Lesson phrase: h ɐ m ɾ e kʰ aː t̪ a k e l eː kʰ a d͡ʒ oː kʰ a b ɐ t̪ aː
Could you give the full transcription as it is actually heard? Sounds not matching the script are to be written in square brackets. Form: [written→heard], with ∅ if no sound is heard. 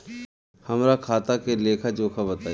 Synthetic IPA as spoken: h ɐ m ɾ [e→a] kʰ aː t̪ a k e l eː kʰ a d͡ʒ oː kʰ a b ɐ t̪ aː